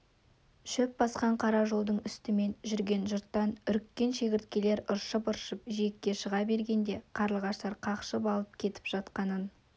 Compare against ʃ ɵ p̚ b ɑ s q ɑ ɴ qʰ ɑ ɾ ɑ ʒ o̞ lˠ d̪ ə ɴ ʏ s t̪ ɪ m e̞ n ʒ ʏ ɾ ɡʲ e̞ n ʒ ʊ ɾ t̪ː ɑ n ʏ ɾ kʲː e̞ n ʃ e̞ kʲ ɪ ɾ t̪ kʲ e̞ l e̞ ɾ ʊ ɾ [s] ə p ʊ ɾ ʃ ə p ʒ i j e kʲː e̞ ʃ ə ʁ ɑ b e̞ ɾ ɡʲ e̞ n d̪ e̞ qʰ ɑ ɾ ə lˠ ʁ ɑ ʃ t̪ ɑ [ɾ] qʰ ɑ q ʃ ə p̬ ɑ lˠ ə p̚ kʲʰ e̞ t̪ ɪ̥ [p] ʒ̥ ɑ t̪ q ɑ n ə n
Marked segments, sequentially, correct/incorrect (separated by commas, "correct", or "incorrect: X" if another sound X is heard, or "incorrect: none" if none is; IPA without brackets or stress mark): incorrect: ʃ, correct, correct